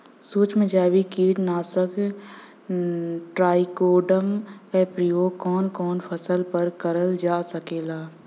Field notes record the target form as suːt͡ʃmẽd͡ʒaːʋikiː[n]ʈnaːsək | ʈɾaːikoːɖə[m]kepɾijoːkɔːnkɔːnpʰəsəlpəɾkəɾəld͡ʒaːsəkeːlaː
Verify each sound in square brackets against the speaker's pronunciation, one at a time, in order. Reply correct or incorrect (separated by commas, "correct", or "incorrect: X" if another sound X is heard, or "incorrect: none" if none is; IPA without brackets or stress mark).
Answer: incorrect: none, correct